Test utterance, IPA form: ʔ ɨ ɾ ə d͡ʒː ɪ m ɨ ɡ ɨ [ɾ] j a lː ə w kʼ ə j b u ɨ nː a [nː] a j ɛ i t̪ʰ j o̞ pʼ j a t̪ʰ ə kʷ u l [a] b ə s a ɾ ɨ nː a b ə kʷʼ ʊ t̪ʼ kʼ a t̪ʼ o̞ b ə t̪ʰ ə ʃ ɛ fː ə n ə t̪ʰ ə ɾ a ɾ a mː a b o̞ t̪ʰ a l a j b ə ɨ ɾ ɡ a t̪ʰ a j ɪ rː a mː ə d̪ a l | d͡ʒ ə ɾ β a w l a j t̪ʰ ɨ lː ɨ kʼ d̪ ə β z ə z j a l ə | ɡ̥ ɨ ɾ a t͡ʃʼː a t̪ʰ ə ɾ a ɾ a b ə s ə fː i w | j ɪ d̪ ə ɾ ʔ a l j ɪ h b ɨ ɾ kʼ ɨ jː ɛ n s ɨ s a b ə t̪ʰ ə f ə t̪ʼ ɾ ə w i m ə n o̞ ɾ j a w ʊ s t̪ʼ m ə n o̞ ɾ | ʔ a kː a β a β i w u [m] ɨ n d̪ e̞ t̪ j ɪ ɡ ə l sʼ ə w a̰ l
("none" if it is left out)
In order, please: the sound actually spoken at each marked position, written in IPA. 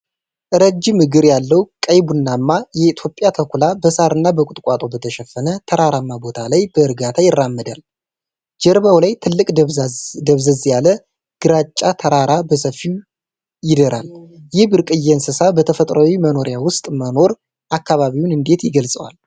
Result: ɾ, mː, a, n

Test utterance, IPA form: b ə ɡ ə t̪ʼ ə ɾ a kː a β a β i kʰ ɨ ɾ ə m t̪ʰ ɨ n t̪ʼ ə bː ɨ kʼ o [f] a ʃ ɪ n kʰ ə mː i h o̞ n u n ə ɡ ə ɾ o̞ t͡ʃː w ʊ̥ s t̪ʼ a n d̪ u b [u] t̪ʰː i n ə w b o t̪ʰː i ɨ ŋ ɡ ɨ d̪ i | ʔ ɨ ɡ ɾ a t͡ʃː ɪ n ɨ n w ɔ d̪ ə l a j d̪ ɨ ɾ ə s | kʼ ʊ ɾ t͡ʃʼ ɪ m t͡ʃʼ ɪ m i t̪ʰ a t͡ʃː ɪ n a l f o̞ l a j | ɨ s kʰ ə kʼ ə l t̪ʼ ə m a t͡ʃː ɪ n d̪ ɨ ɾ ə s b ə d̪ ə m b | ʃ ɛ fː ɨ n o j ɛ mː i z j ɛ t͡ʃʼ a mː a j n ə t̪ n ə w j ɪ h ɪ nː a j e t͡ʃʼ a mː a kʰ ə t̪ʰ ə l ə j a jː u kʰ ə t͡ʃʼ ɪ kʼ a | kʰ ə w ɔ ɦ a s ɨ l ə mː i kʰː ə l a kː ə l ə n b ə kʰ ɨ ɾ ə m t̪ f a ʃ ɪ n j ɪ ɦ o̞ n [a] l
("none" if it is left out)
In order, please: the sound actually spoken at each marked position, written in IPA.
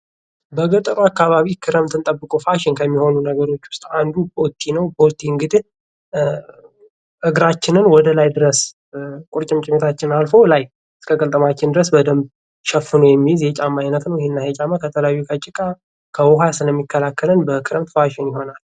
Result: f, o, a

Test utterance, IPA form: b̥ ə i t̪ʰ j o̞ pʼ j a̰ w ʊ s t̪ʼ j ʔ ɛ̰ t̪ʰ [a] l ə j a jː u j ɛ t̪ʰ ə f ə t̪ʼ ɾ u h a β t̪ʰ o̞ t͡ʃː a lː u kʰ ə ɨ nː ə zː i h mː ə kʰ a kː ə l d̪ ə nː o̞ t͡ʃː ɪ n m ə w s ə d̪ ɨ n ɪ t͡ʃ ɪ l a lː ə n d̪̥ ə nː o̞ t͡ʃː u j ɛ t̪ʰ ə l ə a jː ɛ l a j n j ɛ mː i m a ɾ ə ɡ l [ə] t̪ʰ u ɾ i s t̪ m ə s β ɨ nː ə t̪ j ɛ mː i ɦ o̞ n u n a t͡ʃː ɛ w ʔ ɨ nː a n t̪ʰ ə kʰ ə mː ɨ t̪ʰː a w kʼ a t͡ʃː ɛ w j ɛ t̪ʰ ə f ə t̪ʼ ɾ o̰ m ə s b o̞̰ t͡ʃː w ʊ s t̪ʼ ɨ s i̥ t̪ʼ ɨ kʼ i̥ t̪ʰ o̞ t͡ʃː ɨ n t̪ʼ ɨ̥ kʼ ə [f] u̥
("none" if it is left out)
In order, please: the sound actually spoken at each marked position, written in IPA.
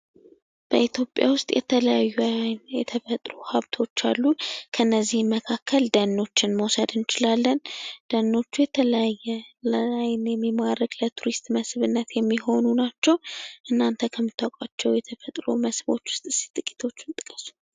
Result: ə, ə, s

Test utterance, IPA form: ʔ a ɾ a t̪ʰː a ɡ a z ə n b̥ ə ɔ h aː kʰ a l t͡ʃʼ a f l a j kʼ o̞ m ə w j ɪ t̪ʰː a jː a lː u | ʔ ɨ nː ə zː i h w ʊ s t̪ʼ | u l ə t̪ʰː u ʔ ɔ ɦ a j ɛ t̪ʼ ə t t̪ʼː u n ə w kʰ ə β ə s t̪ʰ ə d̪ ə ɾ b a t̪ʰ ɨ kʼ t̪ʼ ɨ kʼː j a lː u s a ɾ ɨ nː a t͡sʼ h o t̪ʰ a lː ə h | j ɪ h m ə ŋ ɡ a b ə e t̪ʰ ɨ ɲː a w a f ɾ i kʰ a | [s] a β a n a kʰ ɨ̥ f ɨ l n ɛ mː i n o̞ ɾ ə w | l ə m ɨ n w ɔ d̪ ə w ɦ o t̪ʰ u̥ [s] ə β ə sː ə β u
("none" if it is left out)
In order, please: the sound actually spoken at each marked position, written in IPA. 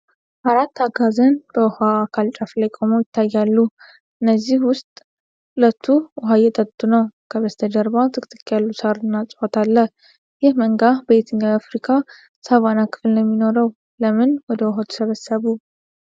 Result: s, s

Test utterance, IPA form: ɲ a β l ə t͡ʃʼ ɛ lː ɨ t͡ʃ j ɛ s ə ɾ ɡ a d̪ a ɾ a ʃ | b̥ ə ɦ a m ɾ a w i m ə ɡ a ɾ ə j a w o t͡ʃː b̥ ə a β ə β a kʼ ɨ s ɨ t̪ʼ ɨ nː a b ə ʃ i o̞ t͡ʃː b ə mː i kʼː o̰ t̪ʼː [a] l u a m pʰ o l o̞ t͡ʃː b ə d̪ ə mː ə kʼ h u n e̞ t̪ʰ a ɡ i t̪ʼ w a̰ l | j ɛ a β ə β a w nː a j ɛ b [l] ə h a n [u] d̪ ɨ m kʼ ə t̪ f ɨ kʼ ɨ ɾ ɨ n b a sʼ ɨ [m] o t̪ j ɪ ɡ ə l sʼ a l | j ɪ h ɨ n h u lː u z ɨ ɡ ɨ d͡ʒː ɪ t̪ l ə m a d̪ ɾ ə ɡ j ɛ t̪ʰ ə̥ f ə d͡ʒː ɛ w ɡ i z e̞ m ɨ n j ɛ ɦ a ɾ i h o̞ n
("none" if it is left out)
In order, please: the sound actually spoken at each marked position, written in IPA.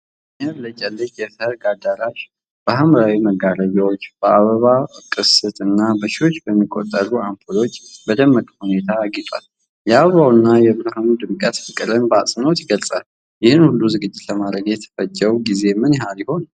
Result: ə, ɾ, u, n

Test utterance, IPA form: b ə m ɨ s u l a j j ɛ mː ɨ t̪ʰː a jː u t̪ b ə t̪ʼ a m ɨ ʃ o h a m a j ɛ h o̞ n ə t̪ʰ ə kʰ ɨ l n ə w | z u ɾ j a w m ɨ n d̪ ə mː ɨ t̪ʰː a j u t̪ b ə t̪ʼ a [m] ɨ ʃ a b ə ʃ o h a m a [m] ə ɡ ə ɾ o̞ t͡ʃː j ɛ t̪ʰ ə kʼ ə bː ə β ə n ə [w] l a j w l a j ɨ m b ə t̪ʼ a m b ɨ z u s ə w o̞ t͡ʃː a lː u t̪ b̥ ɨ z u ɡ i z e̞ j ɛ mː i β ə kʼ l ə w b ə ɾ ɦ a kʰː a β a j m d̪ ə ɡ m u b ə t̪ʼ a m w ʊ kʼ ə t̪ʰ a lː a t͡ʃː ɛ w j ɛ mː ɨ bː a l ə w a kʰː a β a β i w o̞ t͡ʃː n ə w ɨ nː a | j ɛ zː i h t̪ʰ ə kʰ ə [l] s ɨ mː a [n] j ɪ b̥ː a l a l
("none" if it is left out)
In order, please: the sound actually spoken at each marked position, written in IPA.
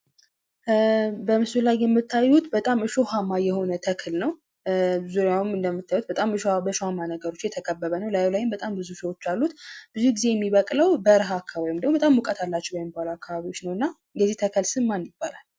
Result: m, n, w, l, n

